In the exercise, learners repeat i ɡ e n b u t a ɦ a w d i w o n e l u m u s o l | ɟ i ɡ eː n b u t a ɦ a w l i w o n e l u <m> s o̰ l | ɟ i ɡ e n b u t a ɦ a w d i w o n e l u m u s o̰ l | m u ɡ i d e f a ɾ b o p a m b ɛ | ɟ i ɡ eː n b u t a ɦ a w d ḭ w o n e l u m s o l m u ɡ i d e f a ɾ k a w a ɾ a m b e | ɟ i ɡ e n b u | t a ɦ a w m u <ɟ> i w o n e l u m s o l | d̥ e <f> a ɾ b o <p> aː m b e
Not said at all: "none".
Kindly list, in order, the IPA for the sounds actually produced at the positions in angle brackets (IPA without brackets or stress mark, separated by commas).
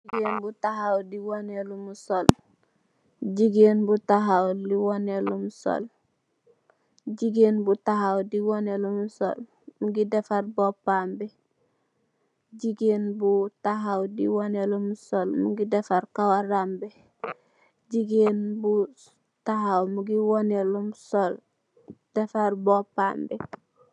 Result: m, ɡ, f, p